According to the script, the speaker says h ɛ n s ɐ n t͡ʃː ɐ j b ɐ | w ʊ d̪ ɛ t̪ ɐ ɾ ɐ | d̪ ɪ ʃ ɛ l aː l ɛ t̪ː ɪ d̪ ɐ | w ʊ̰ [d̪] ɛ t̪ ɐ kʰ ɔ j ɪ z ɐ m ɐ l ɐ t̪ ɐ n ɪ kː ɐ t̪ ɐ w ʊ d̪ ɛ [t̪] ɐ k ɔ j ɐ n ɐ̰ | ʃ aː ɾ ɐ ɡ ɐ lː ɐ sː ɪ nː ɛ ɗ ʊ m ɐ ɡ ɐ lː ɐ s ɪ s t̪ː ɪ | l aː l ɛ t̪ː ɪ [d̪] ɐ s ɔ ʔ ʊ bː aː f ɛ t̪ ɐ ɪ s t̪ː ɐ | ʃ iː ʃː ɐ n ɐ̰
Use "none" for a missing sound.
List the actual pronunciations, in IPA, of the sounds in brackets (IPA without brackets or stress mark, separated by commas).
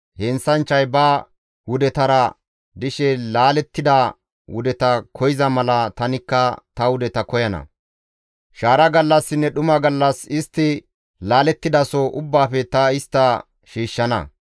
d̪, t̪, d̪